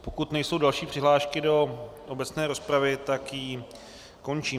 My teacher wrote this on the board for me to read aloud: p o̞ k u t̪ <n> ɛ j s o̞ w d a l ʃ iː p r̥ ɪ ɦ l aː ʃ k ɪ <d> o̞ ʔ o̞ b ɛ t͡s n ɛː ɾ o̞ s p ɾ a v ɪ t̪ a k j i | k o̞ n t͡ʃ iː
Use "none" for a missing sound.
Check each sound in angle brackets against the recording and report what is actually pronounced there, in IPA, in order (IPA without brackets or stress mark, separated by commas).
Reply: n, d